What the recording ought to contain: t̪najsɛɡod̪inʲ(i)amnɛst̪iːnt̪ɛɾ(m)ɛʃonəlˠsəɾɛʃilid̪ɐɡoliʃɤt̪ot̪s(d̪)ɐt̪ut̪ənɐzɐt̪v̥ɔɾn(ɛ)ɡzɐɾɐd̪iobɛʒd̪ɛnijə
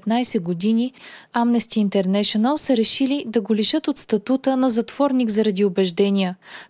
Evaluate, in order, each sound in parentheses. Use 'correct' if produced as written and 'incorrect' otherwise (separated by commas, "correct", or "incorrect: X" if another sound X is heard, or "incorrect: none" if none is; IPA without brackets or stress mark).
correct, incorrect: n, incorrect: t̪, incorrect: i